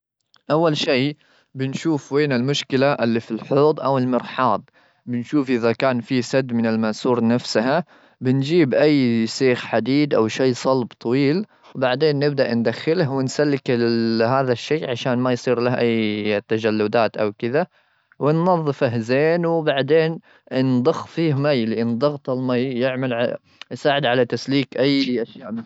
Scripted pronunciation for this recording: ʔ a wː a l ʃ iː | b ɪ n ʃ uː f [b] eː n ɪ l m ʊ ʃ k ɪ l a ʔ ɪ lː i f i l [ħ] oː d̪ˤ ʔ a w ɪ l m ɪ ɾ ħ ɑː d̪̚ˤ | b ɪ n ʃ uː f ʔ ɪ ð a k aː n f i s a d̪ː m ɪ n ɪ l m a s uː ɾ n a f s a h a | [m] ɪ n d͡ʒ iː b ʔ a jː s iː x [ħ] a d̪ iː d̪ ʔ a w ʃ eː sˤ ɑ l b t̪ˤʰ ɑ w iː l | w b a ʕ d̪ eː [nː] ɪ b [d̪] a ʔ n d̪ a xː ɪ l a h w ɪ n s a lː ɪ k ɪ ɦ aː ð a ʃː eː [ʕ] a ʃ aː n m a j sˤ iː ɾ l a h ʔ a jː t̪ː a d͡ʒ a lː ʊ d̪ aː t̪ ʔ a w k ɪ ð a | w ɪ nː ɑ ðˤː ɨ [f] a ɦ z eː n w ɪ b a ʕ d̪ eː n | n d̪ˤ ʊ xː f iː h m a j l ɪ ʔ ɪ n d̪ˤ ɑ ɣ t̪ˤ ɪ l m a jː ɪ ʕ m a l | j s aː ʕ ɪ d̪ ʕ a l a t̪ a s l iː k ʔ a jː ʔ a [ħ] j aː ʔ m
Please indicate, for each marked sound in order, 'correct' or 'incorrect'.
incorrect: w, correct, incorrect: b, correct, correct, correct, correct, correct, incorrect: ʃ

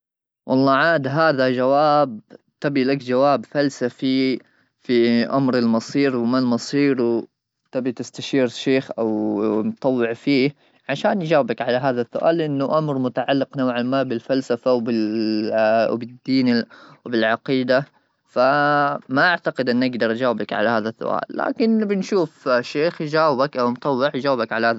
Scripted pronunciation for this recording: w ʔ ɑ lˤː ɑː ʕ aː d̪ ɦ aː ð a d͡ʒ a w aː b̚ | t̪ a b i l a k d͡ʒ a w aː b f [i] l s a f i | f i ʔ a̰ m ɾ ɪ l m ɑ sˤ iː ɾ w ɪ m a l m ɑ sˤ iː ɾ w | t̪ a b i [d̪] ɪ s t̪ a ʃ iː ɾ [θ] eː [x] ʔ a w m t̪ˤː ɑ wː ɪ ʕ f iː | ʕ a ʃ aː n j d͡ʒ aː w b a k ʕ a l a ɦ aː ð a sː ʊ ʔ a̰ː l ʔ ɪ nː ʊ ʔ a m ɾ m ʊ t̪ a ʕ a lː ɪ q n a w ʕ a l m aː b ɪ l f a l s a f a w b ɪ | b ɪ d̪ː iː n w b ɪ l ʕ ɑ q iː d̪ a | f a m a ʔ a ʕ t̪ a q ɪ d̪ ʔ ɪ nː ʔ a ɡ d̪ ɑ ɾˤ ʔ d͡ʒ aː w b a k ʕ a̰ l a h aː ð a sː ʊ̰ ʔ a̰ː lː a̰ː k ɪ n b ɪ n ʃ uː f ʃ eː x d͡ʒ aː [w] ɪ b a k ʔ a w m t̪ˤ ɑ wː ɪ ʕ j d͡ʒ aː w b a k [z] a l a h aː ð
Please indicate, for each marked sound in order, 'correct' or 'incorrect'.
incorrect: a, incorrect: t̪, incorrect: ʃ, correct, correct, incorrect: ʕ

